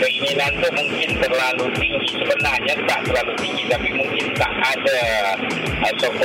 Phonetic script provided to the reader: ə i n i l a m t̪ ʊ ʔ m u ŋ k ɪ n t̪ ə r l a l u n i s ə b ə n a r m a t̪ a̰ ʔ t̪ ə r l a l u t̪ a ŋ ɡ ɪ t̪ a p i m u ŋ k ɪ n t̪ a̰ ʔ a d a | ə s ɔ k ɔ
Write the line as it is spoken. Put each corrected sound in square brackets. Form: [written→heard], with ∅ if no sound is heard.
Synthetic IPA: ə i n i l a [m→n] t̪ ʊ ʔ m u ŋ k ɪ n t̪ ə r l a l u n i s ə b ə n a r [m→ɲ] a t̪ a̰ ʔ t̪ ə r l a l u t̪ [a→i] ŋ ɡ [ɪ→i] t̪ a p i m u ŋ k ɪ n t̪ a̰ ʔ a d a | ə s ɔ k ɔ